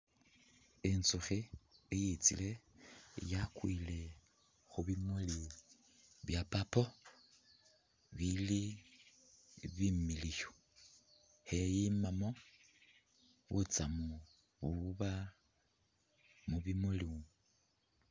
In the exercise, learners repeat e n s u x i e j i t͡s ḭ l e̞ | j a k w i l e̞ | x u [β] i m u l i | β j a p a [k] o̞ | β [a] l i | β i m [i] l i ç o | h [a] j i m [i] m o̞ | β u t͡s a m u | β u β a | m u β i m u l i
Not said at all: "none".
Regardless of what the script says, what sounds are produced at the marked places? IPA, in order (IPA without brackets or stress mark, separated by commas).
β, p, i, i, e, a